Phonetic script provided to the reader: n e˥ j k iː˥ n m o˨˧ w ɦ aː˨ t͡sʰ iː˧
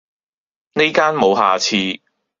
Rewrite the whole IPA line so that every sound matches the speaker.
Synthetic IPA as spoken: n e˥ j k aː˥ n m o˨˧ w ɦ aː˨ t͡sʰ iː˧

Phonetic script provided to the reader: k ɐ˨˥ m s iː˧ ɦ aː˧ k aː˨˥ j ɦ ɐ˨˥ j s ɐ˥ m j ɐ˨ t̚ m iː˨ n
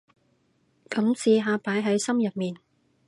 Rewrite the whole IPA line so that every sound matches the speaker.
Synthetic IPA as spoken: k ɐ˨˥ m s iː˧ ɦ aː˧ p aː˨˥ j ɦ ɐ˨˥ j s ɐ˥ m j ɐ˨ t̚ m iː˨ n

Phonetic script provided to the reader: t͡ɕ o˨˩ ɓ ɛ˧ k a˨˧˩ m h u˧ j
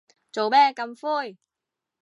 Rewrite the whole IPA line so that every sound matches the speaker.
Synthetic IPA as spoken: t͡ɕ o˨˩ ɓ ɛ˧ k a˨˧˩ m f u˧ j

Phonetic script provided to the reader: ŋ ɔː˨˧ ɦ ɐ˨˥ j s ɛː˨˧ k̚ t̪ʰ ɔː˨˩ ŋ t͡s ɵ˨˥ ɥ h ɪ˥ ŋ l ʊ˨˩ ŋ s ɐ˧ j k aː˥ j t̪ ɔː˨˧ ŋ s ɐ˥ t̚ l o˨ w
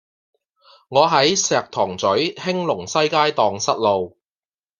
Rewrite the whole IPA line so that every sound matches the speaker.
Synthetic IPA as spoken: ŋ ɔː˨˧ ɦ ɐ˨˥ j s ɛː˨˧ k̚ t̪ʰ ɔː˨˩ ŋ t͡s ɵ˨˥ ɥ h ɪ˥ ŋ l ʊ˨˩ ŋ s ɐ˥ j k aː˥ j t̪ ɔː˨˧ ŋ s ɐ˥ t̚ l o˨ w

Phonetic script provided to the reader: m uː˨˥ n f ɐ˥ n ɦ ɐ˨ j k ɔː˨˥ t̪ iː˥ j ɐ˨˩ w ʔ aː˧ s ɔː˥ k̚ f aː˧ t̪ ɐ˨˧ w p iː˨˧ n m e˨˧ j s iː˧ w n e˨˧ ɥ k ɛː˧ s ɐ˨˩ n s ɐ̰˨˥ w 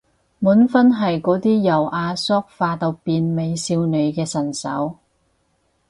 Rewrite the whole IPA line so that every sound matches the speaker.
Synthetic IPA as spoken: m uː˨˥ n f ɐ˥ n ɦ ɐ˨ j k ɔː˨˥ t̪ iː˥ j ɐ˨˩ w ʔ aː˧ s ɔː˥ k̚ f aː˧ t̪ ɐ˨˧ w p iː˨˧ n m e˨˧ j s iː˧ w n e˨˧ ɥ k ɛː˧ s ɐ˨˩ n s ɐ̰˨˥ w

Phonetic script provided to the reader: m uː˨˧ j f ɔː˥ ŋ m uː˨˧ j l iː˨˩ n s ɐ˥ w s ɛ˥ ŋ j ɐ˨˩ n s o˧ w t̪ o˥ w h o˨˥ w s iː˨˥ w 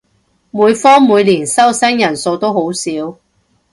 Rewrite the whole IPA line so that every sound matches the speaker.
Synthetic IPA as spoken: m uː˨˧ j f ɔː˥ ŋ m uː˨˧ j l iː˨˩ n s ɐ˥ w s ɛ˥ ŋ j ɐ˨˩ n s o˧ w t̪ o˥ w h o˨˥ w s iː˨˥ w

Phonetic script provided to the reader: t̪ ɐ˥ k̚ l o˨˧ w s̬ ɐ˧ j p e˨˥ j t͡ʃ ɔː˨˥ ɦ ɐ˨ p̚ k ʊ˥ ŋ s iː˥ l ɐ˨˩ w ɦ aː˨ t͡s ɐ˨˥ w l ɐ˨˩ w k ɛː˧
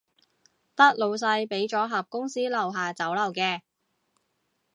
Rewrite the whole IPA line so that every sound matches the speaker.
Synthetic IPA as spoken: t̪ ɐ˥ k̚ l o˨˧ w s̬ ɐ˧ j p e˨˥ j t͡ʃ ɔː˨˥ ɦ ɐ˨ p̚ k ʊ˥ ŋ s iː˥ l ɐ˨˩ w ɦ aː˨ t͡s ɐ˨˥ w l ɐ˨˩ w k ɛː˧

